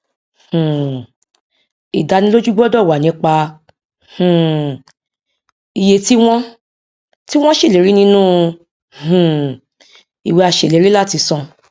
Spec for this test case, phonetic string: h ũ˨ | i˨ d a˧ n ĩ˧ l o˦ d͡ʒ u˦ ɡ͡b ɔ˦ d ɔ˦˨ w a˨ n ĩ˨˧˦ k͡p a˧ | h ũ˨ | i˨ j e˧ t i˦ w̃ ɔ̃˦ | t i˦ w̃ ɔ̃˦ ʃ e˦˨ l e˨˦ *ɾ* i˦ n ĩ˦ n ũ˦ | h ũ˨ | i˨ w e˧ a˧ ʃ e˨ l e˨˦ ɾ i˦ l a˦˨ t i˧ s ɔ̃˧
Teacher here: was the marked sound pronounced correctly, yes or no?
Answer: yes